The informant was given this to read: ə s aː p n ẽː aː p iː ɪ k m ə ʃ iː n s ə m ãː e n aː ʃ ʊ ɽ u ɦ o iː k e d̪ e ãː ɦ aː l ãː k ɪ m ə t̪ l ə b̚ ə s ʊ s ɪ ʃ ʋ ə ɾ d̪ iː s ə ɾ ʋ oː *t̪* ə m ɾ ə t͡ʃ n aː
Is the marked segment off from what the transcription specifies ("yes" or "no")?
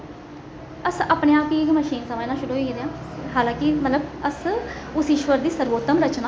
no